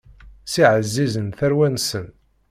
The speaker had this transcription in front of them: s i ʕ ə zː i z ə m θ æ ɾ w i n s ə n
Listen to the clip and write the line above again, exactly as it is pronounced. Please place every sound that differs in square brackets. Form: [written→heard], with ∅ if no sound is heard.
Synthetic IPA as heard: s i ʕ ə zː i z ə [m→n] θ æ ɾ w [i→æ] n s ə n